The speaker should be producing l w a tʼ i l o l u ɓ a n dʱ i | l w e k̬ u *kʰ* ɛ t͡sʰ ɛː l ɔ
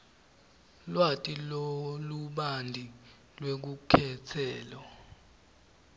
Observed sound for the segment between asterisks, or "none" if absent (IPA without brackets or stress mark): kʰ